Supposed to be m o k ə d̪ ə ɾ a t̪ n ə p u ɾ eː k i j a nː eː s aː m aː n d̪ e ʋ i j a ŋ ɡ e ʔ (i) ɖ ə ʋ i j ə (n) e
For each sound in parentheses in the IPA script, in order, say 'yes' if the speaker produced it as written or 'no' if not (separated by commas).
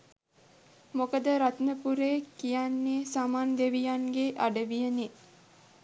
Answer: no, yes